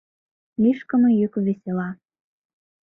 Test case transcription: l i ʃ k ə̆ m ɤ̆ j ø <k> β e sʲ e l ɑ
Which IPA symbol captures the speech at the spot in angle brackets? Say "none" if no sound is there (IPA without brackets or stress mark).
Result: k